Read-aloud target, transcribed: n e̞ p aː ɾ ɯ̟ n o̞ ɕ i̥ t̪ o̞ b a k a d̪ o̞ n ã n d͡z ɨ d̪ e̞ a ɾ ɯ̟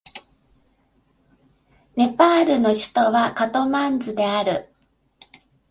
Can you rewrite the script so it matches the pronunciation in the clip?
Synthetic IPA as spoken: n e̞ p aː ɾ ɯ̟ n o̞ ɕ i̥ t̪ o̞ β a k a t̪ o̞ m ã n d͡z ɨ d̪ e̞ a ɾ ɯ̟